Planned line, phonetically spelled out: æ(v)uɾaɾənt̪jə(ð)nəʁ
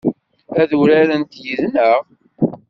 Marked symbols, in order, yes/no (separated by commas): no, yes